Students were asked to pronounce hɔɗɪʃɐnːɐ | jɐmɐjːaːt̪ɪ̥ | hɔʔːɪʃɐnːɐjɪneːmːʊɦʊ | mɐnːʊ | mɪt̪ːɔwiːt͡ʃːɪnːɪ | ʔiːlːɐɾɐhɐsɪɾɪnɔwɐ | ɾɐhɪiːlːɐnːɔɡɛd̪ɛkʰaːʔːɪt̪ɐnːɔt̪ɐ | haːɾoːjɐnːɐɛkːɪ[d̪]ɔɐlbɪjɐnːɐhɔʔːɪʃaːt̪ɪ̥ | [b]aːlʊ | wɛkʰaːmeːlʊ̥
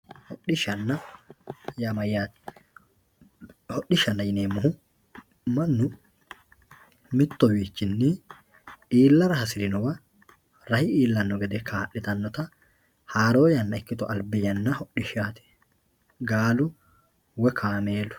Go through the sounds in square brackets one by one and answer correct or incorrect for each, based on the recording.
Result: incorrect: t̪, incorrect: ɡ

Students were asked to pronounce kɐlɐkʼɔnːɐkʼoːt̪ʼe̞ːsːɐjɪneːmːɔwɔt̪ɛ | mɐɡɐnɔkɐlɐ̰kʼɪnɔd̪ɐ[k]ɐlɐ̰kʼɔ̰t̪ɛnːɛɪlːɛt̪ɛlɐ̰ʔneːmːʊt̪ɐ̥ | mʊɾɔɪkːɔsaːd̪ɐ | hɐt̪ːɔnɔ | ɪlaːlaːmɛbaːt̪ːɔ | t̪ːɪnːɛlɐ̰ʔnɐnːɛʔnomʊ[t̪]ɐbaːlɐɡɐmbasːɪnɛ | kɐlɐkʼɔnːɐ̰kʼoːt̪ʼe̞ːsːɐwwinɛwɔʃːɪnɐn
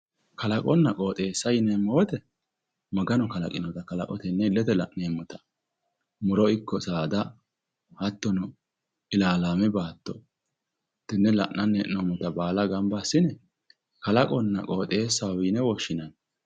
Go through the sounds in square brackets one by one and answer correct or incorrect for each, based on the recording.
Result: correct, correct

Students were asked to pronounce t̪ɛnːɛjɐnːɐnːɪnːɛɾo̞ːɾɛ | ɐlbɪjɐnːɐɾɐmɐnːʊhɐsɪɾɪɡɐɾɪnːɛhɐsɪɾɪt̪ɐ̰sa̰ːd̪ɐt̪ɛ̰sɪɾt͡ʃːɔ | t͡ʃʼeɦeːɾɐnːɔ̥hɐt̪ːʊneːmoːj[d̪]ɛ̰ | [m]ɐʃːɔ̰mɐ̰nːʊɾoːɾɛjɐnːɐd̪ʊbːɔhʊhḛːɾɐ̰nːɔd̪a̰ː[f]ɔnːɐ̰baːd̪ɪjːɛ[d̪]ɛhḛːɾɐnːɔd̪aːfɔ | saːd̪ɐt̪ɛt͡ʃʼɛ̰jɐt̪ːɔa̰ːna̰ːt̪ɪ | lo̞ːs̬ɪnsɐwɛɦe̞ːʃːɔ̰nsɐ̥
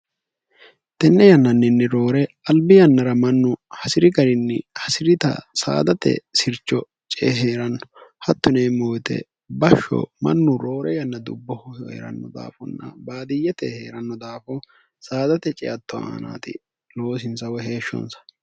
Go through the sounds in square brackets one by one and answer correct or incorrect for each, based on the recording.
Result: incorrect: t̪, incorrect: b, correct, incorrect: t̪

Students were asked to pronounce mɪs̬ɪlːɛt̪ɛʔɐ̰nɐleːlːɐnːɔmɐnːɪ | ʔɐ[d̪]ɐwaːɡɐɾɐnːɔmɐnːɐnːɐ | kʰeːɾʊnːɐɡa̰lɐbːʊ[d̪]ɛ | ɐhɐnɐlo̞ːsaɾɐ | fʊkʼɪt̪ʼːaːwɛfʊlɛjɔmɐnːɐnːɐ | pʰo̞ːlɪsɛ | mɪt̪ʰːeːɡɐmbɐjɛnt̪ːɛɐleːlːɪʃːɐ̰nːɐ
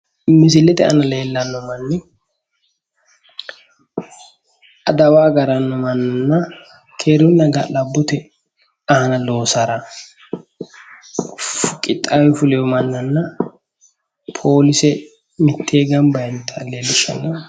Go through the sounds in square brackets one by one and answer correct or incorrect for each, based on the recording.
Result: correct, incorrect: t̪

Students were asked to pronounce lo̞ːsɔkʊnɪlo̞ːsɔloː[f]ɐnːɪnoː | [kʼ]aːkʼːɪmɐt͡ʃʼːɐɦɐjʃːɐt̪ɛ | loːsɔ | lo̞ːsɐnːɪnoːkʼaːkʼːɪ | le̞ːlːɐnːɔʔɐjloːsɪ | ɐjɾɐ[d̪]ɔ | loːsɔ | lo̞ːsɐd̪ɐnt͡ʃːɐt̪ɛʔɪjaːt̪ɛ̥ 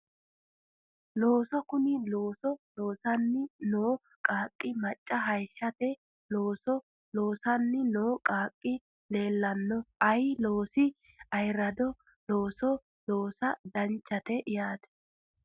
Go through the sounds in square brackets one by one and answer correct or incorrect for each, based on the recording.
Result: incorrect: s, correct, correct

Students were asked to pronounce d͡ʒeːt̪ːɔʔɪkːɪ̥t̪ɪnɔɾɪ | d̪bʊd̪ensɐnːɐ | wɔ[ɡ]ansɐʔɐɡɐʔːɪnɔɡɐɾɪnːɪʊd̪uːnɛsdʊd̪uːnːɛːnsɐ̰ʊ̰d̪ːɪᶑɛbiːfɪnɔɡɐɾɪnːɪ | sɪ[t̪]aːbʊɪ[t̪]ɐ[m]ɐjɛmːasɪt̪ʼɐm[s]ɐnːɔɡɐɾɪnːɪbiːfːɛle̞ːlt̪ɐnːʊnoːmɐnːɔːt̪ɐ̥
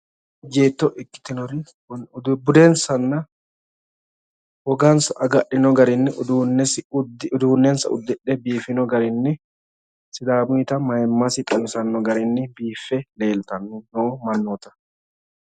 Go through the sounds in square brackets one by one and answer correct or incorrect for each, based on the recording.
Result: correct, incorrect: d̪, correct, correct, correct

